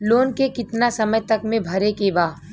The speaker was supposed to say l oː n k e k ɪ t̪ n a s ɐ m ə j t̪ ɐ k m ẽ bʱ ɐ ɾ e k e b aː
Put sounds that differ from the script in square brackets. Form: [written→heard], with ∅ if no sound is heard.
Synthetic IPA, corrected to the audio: l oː n k e k ɪ t̪ n a s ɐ m ə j t̪ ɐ k m ẽ bʱ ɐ ɾ e k e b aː